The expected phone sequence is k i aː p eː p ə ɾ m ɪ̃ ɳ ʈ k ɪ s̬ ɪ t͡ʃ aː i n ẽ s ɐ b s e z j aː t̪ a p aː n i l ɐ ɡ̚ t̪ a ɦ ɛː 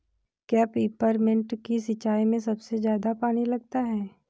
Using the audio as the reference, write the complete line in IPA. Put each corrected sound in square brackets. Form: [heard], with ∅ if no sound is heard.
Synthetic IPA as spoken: k [j] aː p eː p ə ɾ m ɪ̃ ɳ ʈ k [i] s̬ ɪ t͡ʃ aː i [m] ẽ s ɐ b s e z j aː [d̪] a p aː n i l ɐ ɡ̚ t̪ a ɦ ɛː